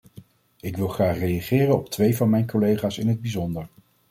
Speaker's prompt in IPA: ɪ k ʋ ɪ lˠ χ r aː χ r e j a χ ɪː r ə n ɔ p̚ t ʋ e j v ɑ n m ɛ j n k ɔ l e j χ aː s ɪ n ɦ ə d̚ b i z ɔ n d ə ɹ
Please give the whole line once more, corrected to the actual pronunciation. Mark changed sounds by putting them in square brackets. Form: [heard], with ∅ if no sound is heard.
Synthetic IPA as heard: ɪ k ʋ ɪ lˠ χ r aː χ r e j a χ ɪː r ə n ɔ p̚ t ʋ e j v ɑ n m ɛ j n k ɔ l e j χ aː s ɪ n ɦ ə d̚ b i z ɔ n d ə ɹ